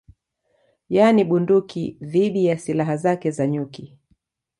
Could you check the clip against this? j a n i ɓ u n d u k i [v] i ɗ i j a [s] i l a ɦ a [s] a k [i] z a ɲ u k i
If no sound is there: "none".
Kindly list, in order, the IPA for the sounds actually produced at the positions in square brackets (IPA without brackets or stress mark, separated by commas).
ð, s, z, ɛ